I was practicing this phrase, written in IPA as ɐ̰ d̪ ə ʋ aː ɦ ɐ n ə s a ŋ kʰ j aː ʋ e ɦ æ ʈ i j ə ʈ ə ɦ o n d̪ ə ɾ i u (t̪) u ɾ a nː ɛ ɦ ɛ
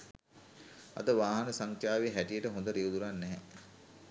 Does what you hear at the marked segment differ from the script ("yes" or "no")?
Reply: yes